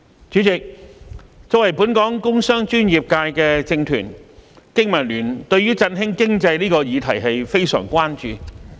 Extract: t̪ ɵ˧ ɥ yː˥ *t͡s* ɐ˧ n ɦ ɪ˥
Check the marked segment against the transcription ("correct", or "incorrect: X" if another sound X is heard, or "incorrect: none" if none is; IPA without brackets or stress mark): correct